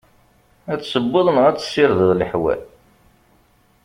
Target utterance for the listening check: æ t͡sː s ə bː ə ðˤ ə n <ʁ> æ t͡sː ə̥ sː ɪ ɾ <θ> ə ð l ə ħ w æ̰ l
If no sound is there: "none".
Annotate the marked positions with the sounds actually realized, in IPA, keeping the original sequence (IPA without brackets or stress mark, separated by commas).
ʁ, ð